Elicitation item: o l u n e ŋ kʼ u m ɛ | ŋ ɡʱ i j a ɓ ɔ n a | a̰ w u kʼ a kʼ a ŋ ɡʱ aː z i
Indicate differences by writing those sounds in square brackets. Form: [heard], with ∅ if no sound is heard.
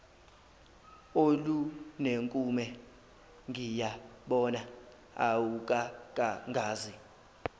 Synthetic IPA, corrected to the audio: o l u n e ŋ kʼ u m ɛ | ŋ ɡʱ i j a ɓ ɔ n a | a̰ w u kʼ a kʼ a ŋ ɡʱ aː z i